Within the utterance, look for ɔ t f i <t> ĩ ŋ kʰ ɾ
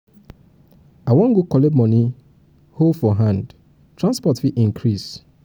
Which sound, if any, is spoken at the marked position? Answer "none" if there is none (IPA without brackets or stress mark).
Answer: ʔ